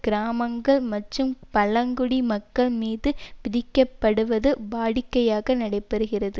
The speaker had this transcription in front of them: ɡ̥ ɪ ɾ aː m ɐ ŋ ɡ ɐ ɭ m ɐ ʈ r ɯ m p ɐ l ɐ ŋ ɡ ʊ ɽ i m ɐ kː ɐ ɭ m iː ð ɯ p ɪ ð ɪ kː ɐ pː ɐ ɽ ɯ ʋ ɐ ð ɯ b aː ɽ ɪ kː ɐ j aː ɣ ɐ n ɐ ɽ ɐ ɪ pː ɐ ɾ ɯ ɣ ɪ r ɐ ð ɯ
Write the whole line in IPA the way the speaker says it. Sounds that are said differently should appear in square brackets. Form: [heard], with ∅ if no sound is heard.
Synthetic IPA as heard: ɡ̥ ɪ ɾ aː m ɐ ŋ ɡ ɐ ɭ m ɐ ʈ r ɯ m p ɐ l ɐ ŋ ɡ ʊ ɽ i m ɐ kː ɐ ɭ m iː ð ɯ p ɪ ð ɪ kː ɐ pː ɐ ɽ ɯ ʋ ɐ ð ɯ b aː ɽ ɪ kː ɐ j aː ɣ ɐ n ɐ ɽ ɐ ɪ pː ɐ ɾ ɯ ɣ ɪ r ɐ ð ɯ